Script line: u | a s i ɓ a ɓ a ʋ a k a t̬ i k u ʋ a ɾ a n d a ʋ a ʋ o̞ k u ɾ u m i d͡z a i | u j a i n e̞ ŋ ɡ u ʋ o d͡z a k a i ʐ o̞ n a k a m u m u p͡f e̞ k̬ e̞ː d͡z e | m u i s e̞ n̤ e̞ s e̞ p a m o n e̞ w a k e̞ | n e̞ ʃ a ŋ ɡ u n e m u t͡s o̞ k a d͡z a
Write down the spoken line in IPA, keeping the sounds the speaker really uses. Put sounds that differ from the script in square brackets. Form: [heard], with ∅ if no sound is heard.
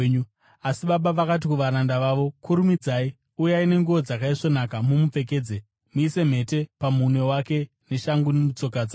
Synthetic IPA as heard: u | a s i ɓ a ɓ a ʋ a k a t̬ i k u ʋ a ɾ a n d a ʋ a ʋ o̞ k u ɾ u m i d͡z a i | u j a i n e̞ ŋ ɡ u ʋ o d͡z a k a i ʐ o̞ n a k a m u m u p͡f e̞ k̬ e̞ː d͡z e | m u i s e̞ [m̤] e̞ [t] e̞ p a m [u] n e̞ w a k e̞ | n e̞ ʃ a ŋ ɡ u n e m u t͡s o̞ k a d͡z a

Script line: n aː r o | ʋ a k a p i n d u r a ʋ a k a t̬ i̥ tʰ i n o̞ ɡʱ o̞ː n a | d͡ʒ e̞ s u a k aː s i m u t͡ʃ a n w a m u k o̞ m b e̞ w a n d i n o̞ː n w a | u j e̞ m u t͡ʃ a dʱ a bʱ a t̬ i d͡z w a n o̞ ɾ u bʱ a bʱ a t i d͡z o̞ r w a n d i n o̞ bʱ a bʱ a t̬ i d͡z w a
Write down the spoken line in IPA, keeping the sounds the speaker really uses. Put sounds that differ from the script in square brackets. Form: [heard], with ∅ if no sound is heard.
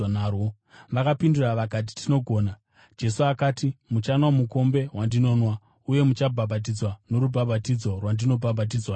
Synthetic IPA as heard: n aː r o | ʋ a k a p i n d u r a ʋ a k a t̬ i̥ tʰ i n o̞ ɡʱ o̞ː n a | d͡ʒ e̞ s u a k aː [t] i m u t͡ʃ a n w a m u k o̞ m b e̞ w a n d i n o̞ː n w a | u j e̞ m u t͡ʃ a [bʱ] a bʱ a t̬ i d͡z w a n o̞ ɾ u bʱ a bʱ a t i d͡z o̞ r w a n d i n o̞ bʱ a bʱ a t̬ i d͡z w a

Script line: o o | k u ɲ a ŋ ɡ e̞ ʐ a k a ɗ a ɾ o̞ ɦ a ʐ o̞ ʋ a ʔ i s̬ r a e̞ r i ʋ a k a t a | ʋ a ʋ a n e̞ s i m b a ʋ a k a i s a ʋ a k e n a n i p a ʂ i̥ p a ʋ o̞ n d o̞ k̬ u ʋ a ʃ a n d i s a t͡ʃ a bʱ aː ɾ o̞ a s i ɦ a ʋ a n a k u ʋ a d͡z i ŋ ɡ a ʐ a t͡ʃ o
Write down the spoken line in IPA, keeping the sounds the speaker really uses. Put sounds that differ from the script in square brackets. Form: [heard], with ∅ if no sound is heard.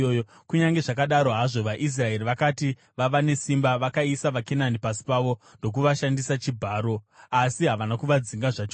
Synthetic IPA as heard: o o | k u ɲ a ŋ ɡ e̞ ʐ a k a ɗ a ɾ o̞ ɦ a ʐ o̞ ʋ a ʔ i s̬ r a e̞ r i ʋ a k a t [i] | ʋ a ʋ a n e̞ s i m b a ʋ a k a i s a ʋ a k e n a n i p a [s] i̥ p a ʋ o̞ n d o̞ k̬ u ʋ a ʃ a n d i s a t͡ʃ [i] bʱ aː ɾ o̞ a s i ɦ a ʋ a n a k u ʋ a d͡z i ŋ ɡ a ʐ a t͡ʃ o

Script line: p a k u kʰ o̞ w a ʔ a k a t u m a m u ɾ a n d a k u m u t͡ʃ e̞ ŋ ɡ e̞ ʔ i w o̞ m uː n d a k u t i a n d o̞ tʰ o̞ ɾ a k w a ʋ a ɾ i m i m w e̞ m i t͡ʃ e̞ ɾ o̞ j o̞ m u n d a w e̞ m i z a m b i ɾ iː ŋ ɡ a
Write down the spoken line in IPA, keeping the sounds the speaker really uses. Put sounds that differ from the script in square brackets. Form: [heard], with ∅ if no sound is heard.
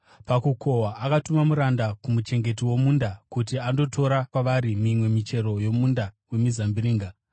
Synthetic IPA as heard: p a k u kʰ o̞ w a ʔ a k a t u m a m u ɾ a n d a k u m u t͡ʃ e̞ ŋ ɡ e̞ [t] i w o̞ m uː n d a k u t i a n d o̞ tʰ o̞ ɾ a k w a ʋ a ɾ i m i m w e̞ m i t͡ʃ e̞ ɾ o̞ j o̞ m u n d a w e̞ m i z a m b i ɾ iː ŋ ɡ a

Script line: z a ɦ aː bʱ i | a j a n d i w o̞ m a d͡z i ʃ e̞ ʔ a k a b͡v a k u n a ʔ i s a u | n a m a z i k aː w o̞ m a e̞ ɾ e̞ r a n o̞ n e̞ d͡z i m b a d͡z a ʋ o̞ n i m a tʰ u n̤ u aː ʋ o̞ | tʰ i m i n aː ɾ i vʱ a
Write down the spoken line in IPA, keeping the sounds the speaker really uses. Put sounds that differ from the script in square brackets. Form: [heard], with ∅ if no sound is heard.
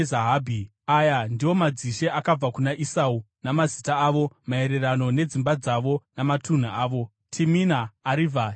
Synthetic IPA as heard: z a ɦ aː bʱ i | a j a n d i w o̞ m a d͡z i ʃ e̞ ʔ a k a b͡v a k u n a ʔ i s a u | n a m a z i [t] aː [ʋ] o̞ m a e̞ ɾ e̞ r a n o̞ n e̞ d͡z i m b a d͡z a ʋ o̞ n [a] m a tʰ u n̤ u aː ʋ o̞ | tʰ i m i n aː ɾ i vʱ a

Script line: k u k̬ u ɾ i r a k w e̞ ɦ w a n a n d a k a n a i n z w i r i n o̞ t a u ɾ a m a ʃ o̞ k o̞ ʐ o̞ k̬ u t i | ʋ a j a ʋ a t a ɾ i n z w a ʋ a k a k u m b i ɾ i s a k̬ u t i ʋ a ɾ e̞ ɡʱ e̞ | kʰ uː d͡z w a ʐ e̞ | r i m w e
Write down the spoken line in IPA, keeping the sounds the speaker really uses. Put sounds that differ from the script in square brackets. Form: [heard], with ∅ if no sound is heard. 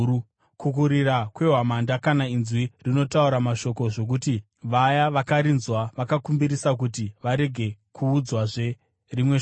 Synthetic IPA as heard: k u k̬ u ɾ i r a k w e̞ ɦ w a [m] a n d a k a n a i n z w i r i n o̞ t a u ɾ a m a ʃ o̞ k o̞ ʐ o̞ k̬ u t i | ʋ a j a ʋ a [k] a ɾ i n z w a ʋ a k a k u m b i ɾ i s a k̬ u t i ʋ a ɾ e̞ ɡʱ e̞ | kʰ uː d͡z w a ʐ e̞ | r i m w e

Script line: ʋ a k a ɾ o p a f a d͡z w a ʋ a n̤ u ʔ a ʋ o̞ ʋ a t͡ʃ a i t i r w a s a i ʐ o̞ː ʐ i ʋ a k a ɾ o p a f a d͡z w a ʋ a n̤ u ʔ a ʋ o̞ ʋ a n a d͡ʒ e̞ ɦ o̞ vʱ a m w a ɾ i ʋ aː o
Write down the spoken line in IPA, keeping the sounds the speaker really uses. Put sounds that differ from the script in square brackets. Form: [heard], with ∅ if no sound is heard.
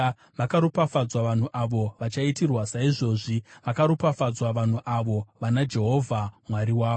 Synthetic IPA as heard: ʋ a k a ɾ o p a f a d͡z w a ʋ a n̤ u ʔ a ʋ o̞ ʋ a t͡ʃ a i t i r w a s a i ʐ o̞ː ʐ i ʋ a k a ɾ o p a f a d͡z w a ʋ a n̤ u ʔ a ʋ o̞ ʋ a n a d͡ʒ e̞ ɦ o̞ vʱ a m w a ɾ i [w] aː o

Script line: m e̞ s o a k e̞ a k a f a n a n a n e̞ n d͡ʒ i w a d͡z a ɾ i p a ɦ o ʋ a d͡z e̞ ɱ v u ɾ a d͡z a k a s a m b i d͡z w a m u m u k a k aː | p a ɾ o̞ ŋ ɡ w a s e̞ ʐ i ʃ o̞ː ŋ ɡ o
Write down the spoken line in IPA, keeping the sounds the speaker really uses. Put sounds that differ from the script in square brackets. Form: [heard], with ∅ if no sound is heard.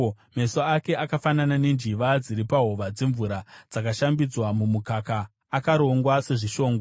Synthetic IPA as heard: m e̞ s o a k e̞ a k a f a n a n a n e̞ n d͡ʒ i [ʋ] a d͡z [i] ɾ i p a ɦ o ʋ a d͡z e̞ ɱ v u ɾ a d͡z a k a [ʃ] a m b i d͡z w a m u m u k a k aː | [k] a ɾ o̞ ŋ ɡ w a s e̞ ʐ i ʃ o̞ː ŋ ɡ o

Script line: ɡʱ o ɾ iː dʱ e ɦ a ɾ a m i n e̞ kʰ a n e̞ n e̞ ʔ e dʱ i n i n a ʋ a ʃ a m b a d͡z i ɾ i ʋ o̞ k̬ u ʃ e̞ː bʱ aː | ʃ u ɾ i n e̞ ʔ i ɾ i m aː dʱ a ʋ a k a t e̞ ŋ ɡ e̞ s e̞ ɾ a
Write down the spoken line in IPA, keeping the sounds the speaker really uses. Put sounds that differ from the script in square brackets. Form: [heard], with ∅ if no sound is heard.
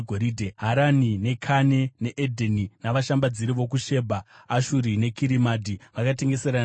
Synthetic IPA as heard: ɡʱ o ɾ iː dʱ e ɦ a ɾ a [n] i n e̞ kʰ a n e̞ n e̞ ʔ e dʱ [e] n i n a ʋ a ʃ a m b a d͡z i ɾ i ʋ o̞ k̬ u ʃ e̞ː bʱ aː | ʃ u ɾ i n e̞ [k] i ɾ i m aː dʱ [i] ʋ a k a t e̞ ŋ ɡ e̞ s e̞ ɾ a

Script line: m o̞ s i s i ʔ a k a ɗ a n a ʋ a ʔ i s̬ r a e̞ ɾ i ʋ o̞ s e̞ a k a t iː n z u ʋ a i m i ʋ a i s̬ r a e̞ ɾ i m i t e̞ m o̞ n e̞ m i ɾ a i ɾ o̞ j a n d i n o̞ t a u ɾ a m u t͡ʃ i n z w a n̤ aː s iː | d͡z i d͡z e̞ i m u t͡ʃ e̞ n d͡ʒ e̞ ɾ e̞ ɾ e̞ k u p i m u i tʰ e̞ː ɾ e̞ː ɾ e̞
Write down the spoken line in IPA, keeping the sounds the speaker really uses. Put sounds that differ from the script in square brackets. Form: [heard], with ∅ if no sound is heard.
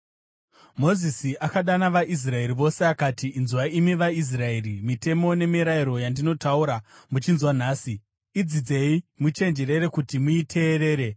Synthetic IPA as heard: m o̞ [z] i s i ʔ a k a ɗ a n a ʋ a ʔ i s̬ r a e̞ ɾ i ʋ o̞ s e̞ a k a t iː n z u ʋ a i m i ʋ a i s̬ r a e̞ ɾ i m i t e̞ m o̞ n e̞ m i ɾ a i ɾ o̞ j a n d i n o̞ t a u ɾ a m u t͡ʃ i n z w a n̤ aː s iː | d͡z i d͡z e̞ i m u t͡ʃ e̞ n d͡ʒ e̞ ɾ e̞ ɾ e̞ k u [t] i m u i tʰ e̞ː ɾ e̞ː ɾ e̞

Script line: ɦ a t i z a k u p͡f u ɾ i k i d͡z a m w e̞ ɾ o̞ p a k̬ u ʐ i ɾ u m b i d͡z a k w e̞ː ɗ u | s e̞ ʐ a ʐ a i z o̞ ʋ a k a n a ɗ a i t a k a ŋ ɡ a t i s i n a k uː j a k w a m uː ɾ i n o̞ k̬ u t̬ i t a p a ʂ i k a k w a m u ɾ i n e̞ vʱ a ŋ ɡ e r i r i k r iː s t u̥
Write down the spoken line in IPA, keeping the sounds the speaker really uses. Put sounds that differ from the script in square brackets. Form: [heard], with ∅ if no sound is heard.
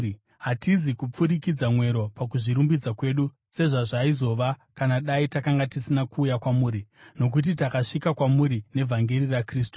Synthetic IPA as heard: ɦ a t i z [i] k u p͡f u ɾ i k i d͡z a m w e̞ ɾ o̞ p a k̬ u ʐ i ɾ u m b i d͡z a k w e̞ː ɗ u | s e̞ ʐ a ʐ a i z o̞ ʋ a k a n a ɗ a i t a k a ŋ ɡ a t i s i n a k uː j a k w a m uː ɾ i n o̞ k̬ u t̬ i t a [k] a ʂ i k a k w a m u ɾ i n e̞ vʱ a ŋ ɡ e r i r [a] k r iː s t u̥

